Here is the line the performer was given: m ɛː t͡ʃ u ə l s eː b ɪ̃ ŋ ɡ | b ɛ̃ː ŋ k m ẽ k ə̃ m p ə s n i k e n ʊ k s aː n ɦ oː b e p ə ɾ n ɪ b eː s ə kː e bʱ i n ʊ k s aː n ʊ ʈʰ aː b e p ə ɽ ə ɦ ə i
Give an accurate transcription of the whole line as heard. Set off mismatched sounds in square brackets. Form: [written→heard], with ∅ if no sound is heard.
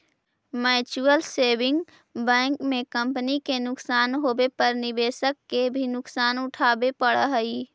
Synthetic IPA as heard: m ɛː t͡ʃ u ə l s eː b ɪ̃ ŋ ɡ | b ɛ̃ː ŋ k m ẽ k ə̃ m p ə [s→∅] n i k e n ʊ k s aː n ɦ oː b e p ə ɾ n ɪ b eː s ə kː e bʱ i n ʊ k s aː n ʊ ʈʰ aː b e p ə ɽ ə ɦ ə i